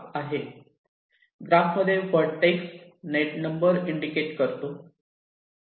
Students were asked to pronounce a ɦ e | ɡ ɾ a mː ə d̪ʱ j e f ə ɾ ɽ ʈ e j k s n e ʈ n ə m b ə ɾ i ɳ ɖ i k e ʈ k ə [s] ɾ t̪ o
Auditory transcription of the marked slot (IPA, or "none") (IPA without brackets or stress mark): none